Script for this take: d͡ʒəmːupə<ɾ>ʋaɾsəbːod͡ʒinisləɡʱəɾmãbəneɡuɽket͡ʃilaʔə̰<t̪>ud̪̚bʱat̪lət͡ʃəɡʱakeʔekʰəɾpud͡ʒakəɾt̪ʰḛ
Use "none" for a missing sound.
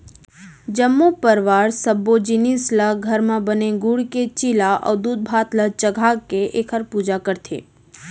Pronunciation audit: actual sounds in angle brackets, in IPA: ɾ, d̪

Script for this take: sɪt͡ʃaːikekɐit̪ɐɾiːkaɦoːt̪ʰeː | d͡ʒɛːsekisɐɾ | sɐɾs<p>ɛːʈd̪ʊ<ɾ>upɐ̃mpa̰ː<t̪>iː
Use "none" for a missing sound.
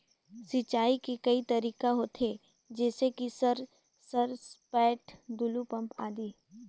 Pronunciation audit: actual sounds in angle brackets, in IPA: p, l, d̪

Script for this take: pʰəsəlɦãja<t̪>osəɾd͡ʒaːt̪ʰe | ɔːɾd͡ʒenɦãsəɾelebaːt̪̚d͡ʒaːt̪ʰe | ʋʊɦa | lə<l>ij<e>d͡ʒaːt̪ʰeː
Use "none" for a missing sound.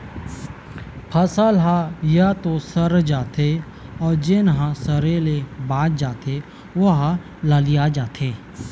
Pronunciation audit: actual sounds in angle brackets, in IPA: t̪, l, a

